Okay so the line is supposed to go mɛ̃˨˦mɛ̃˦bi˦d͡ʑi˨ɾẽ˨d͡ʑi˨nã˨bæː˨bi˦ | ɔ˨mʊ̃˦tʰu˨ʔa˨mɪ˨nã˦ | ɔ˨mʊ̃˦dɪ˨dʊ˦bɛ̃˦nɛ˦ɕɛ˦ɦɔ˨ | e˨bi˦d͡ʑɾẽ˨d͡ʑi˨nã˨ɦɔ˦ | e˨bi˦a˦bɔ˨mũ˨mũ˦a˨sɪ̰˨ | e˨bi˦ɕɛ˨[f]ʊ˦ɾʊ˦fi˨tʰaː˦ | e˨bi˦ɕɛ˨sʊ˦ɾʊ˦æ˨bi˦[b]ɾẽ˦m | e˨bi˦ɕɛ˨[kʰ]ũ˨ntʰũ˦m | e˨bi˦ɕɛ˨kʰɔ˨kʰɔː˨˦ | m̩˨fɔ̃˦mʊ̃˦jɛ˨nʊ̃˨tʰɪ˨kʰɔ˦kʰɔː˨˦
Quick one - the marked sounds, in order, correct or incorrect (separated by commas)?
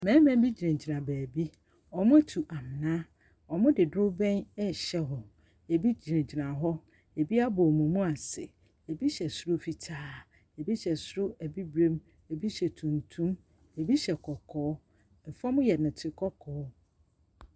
incorrect, correct, incorrect